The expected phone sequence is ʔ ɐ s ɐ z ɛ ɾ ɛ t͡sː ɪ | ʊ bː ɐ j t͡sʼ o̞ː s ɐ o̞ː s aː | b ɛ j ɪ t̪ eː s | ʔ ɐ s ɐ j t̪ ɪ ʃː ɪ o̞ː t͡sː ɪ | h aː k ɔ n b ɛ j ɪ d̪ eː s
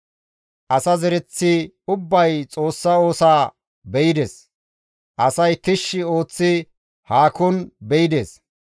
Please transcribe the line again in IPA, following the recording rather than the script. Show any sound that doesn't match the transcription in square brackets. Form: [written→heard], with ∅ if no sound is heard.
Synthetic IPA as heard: ʔ ɐ s ɐ z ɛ ɾ ɛ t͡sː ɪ | ʊ bː ɐ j t͡sʼ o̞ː [s→sː] ɐ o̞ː s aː | b ɛ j ɪ [t̪→d̪] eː s | ʔ ɐ s ɐ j t̪ ɪ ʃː ɪ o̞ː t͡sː ɪ | h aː k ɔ n b ɛ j ɪ d̪ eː s